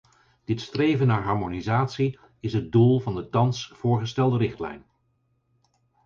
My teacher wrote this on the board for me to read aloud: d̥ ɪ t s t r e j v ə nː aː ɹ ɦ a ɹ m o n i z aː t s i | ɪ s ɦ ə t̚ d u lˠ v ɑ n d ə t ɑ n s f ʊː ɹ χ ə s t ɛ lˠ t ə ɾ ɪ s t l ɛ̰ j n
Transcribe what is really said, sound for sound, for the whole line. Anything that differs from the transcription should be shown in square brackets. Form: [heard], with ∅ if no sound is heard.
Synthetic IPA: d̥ ɪ t s t r e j v ə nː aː ɹ ɦ [ɑ] ɹ m o n i z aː t s i | ɪ s ɦ ə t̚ d u lˠ v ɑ n d ə t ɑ n s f ʊː ɹ χ ə s t ɛ lˠ [d] ə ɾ ɪ [χ] t l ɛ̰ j n